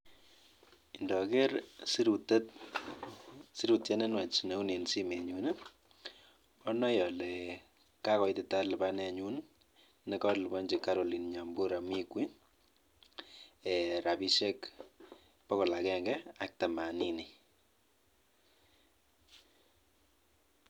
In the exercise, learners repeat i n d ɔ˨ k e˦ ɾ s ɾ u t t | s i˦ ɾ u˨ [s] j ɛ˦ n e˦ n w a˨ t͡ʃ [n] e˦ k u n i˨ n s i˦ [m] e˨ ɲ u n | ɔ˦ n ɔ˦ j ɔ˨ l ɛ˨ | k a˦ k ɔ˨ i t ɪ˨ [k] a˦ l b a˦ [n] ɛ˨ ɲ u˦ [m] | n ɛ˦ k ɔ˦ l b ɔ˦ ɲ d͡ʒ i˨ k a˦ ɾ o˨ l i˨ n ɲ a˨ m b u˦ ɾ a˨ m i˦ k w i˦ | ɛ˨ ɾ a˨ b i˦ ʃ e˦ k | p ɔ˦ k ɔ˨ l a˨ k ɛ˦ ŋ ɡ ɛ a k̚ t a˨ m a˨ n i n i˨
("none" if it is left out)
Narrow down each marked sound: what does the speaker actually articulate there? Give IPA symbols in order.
t, n, m, t, n, n

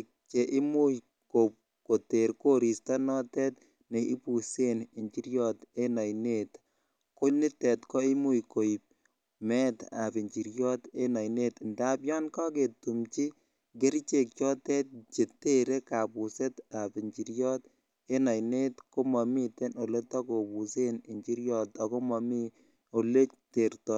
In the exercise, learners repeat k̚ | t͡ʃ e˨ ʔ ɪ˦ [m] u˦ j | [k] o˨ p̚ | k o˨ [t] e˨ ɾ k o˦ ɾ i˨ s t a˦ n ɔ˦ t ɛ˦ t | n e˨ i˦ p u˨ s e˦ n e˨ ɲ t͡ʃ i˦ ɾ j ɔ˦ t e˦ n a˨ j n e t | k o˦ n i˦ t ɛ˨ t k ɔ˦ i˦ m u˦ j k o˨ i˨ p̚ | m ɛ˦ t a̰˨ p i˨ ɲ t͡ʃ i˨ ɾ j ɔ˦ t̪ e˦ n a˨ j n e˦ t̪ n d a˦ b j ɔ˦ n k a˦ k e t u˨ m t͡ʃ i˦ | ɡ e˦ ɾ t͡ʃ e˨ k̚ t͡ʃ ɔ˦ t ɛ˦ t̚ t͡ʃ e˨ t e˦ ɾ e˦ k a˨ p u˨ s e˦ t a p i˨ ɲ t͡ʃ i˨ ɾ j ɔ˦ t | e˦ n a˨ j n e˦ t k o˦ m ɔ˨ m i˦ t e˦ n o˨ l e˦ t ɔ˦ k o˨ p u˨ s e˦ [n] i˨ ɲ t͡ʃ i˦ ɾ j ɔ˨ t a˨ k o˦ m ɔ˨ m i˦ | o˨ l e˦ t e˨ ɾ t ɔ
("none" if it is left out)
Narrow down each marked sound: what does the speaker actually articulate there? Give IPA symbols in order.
m, k, t, n

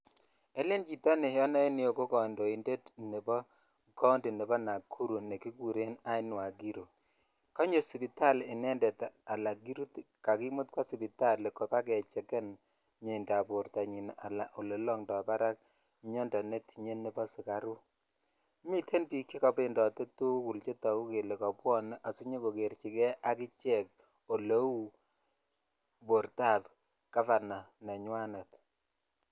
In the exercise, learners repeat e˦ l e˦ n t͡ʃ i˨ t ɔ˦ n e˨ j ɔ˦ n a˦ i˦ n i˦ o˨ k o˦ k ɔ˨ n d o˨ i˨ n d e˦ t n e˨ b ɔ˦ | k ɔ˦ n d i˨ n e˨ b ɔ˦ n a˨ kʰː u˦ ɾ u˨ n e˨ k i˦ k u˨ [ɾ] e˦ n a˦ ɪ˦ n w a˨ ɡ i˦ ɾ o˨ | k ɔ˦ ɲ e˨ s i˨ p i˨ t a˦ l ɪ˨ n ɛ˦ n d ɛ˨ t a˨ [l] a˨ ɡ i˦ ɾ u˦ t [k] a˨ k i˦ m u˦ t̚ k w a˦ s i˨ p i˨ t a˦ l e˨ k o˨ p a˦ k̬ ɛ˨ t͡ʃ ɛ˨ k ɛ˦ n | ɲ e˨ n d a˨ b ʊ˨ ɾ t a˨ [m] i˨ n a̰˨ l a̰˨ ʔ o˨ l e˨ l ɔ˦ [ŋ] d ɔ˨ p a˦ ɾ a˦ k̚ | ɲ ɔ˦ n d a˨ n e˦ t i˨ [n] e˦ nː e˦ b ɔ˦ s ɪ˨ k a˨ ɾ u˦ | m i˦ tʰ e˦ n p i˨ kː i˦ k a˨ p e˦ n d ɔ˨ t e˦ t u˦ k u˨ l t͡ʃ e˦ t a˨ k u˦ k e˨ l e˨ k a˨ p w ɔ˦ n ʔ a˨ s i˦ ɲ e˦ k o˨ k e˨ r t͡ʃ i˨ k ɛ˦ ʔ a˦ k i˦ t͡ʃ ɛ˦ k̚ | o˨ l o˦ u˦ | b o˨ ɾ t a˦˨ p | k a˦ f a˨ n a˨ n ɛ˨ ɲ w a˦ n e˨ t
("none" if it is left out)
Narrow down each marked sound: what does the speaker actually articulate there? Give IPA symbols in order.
ɾ, l, k, ɲ, ŋ, ɲ

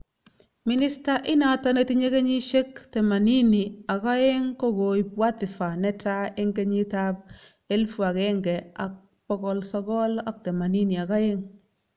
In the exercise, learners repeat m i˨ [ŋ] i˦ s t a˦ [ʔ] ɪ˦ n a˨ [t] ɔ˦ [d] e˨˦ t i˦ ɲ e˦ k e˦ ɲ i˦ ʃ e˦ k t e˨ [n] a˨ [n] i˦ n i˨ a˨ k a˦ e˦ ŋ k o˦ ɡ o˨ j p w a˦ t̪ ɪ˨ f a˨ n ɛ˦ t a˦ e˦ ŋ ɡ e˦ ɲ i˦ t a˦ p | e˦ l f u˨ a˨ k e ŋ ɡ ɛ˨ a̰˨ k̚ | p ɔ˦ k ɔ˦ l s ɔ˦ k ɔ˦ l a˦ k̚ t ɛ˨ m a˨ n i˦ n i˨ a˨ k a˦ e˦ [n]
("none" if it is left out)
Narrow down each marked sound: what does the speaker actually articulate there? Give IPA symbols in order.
n, ʔ, t, n, m, n, ŋ

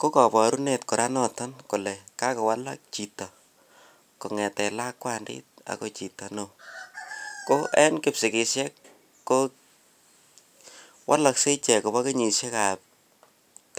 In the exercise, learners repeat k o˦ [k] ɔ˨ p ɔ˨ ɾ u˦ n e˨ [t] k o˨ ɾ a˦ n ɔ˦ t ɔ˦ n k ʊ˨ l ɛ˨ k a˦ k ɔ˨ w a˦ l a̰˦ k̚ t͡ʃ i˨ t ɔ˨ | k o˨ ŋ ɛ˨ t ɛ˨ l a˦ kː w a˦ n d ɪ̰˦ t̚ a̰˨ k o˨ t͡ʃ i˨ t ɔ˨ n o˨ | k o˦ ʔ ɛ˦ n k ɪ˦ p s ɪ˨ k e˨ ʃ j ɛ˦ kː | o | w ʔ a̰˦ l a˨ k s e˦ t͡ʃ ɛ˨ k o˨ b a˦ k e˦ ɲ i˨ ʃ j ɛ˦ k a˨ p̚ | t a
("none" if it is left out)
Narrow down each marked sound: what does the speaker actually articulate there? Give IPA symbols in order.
k, t

